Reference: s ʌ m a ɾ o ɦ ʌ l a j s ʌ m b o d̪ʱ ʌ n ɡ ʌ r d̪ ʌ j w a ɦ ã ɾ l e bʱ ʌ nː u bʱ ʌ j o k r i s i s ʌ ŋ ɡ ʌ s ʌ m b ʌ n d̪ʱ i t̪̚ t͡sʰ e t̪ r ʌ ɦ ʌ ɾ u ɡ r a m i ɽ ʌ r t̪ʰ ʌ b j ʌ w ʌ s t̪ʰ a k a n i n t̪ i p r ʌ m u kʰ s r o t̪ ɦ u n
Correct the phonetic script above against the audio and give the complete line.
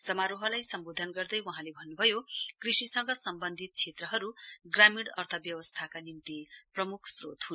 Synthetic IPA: s ʌ m a ɾ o ɦ ʌ l a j s ʌ m b o d̪ʱ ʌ n ɡ ʌ r d̪ ʌ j w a ɦ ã l e bʱ ʌ nː u bʱ ʌ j o k r i s i s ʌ ŋ ɡ ʌ s ʌ m b ʌ n d̪ʱ i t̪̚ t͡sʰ e t̪ r ʌ ɦ ʌ ɾ u ɡ r a m i ɽ ʌ r t̪ʰ ʌ b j ʌ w ʌ s t̪ʰ a k a n i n t̪ i p r ʌ m u kʰ s r o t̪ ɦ u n